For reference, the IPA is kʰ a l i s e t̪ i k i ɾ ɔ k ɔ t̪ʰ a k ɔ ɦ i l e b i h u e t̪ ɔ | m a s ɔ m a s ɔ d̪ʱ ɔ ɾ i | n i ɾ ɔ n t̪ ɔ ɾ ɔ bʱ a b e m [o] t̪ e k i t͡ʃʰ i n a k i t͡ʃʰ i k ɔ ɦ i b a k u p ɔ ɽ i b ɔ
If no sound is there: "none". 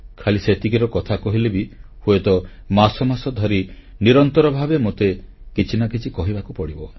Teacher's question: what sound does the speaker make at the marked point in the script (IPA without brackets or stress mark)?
o